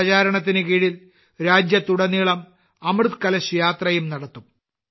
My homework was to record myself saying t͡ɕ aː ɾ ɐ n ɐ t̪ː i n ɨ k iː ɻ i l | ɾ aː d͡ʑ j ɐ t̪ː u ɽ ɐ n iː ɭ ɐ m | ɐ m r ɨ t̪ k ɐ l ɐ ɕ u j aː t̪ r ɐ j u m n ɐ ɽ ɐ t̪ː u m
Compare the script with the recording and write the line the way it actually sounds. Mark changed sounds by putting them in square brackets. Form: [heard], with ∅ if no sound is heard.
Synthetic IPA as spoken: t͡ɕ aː ɾ ɐ [ɳ] ɐ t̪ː i n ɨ k iː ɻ i l | ɾ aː d͡ʑ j ɐ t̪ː u ɽ ɐ n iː ɭ ɐ m | ɐ m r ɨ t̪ k ɐ l ɐ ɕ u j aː t̪ r ɐ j u m n ɐ ɽ ɐ t̪ː u m